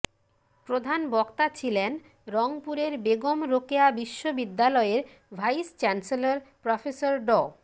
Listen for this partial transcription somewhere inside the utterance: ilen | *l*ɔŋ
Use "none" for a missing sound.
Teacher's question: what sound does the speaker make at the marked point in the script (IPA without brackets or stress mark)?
ɾ